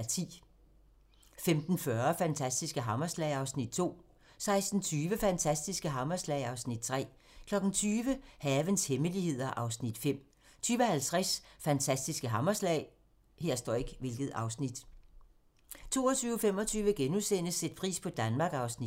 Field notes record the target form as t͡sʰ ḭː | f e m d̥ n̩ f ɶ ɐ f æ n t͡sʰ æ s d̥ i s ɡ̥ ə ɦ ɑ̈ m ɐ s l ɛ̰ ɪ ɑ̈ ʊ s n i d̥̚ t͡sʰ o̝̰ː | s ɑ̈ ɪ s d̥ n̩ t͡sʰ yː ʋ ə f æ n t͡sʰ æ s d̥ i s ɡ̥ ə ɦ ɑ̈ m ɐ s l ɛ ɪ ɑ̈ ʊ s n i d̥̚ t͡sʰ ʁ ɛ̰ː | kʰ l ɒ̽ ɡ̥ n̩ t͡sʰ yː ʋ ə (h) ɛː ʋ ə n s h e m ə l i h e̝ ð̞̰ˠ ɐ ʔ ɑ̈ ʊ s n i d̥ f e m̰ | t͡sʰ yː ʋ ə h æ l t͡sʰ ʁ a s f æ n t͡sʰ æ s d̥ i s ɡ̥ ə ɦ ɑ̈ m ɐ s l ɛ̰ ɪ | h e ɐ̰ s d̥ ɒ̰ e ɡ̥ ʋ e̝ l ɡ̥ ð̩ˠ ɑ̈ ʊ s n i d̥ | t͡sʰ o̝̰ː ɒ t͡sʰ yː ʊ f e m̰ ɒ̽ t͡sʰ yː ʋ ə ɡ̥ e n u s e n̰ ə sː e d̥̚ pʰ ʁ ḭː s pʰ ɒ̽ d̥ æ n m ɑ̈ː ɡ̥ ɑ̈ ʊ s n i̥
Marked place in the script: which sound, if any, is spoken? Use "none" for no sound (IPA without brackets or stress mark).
h